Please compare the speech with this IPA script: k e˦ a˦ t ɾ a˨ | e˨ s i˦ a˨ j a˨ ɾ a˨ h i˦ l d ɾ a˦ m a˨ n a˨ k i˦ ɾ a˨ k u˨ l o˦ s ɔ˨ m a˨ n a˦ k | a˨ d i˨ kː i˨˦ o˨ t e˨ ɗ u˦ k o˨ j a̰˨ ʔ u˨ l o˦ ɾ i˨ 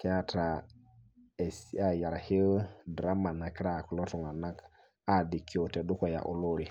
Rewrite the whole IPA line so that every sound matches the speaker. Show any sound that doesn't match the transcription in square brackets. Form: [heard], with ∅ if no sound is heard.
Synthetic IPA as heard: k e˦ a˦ t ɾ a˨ | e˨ s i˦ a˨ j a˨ ɾ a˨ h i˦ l d ɾ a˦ m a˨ n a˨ k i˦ ɾ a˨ k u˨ l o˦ [t] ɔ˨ [ŋ] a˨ n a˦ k | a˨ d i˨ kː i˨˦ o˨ t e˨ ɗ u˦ k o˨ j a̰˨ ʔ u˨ l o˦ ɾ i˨